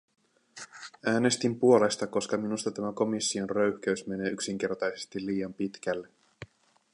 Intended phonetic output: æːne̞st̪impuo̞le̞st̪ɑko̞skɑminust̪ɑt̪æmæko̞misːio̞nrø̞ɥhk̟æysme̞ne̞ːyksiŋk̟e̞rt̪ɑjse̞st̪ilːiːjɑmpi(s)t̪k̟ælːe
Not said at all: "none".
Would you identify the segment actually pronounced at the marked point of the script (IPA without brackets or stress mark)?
none